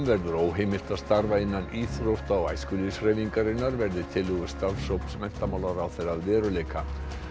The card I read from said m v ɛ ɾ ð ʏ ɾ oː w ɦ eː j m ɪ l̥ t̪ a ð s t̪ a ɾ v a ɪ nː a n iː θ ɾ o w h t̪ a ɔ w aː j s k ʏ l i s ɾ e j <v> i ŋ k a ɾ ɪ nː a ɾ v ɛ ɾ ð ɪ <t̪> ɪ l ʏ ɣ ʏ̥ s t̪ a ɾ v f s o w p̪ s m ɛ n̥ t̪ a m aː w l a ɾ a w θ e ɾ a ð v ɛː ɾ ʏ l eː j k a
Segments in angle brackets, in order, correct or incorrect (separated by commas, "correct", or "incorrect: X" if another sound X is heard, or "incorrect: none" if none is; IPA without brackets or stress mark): correct, incorrect: t̪ʰ